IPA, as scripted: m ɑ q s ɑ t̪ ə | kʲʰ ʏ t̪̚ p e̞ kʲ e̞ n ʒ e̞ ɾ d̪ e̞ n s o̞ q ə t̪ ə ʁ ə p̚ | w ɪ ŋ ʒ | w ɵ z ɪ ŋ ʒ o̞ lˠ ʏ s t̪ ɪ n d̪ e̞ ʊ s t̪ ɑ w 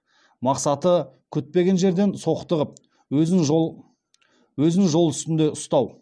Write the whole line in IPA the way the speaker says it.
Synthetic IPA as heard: m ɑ q s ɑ t̪ ə | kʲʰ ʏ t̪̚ p e̞ ɡʲ e̞ n ʒ e̞ ɾ d̪ e̞ n s o̞ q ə t̪ ə ʁ ə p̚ | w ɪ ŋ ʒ | w ɵ z ɪ ŋ ʒ o̞ lˠ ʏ s t̪ ɪ n d̪ e̞ ʊ s t̪ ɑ w